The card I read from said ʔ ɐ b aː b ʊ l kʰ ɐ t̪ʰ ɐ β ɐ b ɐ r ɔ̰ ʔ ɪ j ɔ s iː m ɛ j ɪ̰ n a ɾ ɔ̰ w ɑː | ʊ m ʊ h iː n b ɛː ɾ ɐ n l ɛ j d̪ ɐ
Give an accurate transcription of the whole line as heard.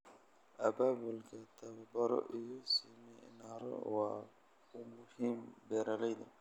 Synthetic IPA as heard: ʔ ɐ b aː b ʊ l kʰ ɐ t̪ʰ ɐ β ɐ b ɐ ɾ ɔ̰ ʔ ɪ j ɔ s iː m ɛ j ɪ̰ n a ɾ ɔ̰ w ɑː | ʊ m ʊ h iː m b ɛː ɾ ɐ l ɛ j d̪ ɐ